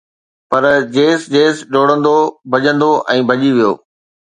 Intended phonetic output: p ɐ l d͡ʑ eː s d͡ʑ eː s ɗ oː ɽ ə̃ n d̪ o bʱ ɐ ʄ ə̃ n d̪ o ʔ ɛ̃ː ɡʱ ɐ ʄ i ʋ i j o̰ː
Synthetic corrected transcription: p ɐ ɾ d͡ʑ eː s d͡ʑ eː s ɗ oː ɽ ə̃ n d̪ o bʱ ɐ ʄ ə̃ n d̪ o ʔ ɛ̃ː bʱ ɐ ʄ i ʋ i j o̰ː